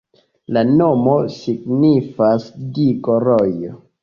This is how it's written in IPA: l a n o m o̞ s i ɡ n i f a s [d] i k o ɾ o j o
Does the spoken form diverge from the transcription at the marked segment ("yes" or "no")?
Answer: no